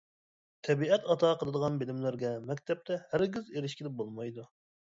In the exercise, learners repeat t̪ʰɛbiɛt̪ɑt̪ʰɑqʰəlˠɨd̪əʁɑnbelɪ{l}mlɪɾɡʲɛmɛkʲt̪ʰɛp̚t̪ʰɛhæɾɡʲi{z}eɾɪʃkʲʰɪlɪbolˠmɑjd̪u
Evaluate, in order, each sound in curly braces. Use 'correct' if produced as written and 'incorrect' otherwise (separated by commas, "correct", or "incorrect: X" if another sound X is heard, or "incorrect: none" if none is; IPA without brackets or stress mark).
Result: incorrect: none, correct